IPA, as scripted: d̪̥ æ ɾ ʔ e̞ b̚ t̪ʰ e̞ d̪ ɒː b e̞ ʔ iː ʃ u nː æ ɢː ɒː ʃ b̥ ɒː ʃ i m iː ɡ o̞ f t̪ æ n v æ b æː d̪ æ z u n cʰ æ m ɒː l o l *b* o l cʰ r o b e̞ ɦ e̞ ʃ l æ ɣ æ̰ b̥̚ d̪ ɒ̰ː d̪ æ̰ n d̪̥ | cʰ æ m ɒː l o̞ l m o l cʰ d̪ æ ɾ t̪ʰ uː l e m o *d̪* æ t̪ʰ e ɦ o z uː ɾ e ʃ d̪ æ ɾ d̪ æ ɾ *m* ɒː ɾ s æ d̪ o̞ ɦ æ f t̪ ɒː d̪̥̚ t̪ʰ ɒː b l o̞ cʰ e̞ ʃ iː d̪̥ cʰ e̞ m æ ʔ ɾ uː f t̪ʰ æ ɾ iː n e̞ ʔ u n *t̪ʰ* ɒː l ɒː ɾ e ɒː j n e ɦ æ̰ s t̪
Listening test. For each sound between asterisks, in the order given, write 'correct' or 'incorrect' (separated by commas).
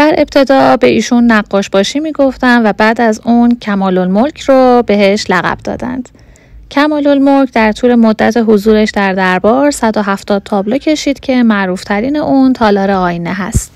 incorrect, incorrect, incorrect, correct